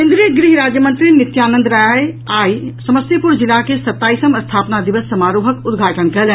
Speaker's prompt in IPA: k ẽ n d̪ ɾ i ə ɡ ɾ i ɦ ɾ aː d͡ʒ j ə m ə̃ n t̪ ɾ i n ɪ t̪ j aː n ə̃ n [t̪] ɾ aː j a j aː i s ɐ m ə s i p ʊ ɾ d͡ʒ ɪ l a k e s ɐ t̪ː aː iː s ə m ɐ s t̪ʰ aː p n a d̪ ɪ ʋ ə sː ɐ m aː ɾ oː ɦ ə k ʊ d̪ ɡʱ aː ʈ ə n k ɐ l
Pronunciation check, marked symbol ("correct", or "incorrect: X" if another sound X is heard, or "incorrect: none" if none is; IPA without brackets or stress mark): incorrect: d̪